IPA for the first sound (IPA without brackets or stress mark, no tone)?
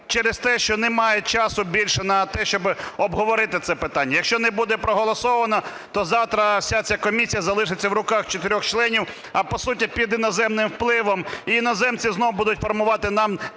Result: t͡ʃ